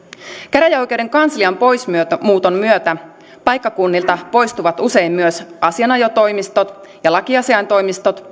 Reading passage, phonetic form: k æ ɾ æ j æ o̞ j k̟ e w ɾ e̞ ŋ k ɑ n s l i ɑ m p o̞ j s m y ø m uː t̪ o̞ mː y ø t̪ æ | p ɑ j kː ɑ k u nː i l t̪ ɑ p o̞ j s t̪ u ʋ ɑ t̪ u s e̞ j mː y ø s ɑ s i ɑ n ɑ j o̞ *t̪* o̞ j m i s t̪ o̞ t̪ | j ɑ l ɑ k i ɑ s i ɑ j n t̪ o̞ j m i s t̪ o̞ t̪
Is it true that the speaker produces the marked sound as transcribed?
yes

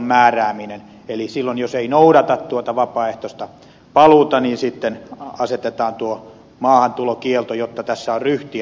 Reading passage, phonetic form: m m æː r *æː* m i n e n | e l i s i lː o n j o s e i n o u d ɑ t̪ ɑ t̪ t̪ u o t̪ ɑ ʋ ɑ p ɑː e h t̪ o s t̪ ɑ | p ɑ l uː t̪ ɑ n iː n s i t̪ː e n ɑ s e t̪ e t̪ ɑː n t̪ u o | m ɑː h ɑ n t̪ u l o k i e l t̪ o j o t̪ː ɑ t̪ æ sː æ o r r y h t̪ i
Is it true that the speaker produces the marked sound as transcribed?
yes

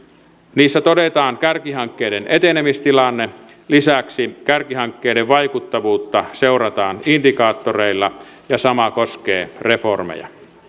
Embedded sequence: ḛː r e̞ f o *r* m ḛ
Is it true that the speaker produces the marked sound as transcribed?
yes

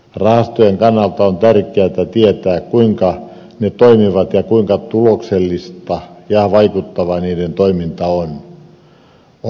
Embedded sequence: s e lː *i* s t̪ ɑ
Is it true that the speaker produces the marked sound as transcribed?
yes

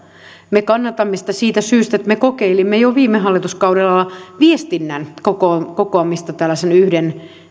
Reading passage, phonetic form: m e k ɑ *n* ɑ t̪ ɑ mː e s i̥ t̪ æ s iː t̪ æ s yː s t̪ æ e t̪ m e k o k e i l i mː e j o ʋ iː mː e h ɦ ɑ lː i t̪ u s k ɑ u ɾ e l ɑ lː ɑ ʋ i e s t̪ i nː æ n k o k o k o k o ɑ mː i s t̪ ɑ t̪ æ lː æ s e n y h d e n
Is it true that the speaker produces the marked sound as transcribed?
no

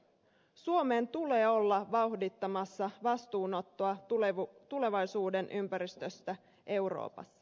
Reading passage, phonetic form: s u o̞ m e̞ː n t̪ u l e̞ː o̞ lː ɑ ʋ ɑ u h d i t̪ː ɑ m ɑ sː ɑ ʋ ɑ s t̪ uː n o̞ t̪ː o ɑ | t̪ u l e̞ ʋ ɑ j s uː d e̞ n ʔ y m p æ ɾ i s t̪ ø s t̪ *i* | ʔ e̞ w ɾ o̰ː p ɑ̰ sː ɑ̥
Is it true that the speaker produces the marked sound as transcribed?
no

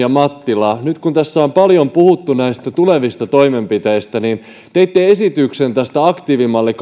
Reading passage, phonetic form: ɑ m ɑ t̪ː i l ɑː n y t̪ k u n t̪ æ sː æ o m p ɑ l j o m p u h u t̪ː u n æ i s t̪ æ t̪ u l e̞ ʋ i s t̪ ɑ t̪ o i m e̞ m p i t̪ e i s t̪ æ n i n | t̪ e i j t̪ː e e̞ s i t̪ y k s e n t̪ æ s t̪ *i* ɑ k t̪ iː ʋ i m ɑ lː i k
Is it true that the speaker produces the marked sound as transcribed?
no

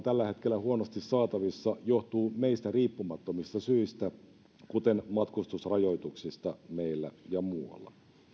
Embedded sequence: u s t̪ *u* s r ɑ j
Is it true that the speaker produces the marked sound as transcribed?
yes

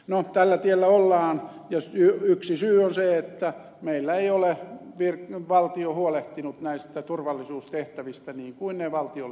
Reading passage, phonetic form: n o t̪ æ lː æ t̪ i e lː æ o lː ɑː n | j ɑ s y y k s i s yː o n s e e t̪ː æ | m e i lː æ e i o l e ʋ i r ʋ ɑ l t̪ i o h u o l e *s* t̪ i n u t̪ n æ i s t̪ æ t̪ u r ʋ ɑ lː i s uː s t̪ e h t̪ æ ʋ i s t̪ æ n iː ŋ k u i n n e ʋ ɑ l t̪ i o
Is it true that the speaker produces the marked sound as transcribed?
no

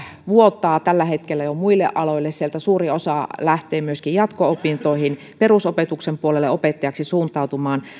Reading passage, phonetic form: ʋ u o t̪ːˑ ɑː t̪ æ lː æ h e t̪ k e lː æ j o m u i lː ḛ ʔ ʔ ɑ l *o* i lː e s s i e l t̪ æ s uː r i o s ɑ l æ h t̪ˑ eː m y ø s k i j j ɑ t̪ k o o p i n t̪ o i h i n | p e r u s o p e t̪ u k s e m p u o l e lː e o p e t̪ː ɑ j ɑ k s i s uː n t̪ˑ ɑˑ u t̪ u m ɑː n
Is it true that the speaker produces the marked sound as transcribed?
yes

